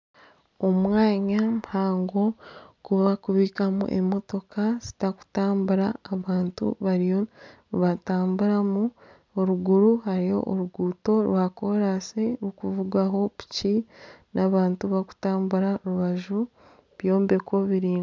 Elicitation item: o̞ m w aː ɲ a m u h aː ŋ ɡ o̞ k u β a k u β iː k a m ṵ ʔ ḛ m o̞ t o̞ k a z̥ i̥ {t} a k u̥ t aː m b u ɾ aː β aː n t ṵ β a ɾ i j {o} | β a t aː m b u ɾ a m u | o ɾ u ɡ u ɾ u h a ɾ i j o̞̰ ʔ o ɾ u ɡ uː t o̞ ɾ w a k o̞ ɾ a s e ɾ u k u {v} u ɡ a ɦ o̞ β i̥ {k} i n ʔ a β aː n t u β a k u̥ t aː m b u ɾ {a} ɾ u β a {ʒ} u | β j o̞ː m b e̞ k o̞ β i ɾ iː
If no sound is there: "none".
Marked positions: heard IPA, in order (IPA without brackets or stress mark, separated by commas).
t, o, v, c, a, ʒ